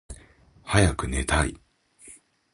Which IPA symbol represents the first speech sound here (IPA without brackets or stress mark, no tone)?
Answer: h